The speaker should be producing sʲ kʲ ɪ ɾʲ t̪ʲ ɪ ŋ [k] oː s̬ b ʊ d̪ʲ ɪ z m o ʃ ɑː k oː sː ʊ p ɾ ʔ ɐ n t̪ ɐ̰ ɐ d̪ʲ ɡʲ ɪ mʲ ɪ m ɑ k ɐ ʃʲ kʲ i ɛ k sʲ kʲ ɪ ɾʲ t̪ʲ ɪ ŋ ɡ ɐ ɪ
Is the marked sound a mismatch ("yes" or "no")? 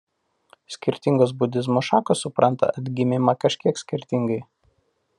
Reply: yes